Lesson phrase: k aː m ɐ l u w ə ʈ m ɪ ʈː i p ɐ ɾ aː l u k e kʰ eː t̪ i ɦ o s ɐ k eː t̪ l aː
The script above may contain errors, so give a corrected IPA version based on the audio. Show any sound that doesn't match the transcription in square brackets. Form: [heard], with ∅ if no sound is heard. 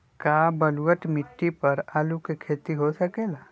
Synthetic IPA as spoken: k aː [b] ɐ l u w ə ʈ m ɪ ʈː i p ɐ ɾ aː l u k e kʰ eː t̪ i ɦ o s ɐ k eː [∅] l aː